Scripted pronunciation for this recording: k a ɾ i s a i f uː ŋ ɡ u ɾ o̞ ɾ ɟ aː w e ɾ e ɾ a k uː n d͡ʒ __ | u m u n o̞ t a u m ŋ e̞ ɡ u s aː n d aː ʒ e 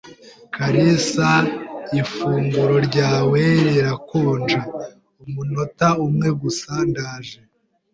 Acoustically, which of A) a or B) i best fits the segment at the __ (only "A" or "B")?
A